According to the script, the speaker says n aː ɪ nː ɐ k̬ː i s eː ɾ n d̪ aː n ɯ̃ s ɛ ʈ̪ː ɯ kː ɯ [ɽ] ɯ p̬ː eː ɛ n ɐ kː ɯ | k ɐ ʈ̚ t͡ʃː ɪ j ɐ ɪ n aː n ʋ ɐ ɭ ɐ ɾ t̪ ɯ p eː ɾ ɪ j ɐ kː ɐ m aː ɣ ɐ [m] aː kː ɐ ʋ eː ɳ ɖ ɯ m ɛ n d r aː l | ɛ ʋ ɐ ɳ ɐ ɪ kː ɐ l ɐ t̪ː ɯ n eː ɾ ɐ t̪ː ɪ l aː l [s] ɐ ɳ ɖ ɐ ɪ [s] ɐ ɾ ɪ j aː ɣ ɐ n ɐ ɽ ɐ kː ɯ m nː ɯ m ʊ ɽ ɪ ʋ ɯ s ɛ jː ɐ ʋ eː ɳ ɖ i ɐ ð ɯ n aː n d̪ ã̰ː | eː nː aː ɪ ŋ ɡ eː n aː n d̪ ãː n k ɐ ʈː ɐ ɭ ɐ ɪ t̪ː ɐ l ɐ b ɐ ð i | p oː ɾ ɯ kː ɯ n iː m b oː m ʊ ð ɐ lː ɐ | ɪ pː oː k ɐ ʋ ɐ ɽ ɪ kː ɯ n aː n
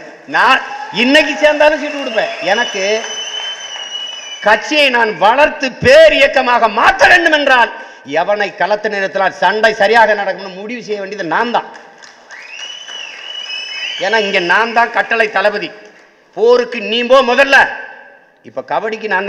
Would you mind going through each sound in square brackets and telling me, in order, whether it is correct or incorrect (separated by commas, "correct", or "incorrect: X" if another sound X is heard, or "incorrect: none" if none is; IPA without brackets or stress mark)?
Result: correct, correct, correct, correct